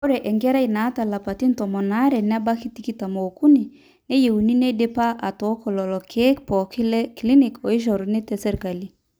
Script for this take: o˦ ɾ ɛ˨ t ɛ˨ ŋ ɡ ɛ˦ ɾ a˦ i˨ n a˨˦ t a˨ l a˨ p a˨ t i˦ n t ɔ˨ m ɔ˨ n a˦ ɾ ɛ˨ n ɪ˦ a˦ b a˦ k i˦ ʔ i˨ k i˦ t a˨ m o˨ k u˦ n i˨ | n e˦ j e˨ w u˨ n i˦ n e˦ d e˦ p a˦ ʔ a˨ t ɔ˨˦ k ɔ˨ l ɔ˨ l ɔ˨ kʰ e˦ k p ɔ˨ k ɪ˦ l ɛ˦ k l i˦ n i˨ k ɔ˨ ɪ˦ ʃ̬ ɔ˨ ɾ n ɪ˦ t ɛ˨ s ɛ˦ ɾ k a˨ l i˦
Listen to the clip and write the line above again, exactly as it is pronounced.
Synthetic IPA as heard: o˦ ɾ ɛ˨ ʔ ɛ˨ ŋ ɡ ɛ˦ ɾ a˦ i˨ n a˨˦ t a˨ l a˨ p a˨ t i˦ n t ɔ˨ m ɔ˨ n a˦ ɾ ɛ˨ n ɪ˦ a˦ b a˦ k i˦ t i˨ k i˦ t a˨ m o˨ k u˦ n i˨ | n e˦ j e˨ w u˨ n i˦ n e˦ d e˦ p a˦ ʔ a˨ t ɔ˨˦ k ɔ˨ l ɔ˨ l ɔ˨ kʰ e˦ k p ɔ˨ k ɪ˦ l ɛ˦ k l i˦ n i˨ k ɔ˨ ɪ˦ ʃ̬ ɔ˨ ɾ n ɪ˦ t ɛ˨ s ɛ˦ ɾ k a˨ l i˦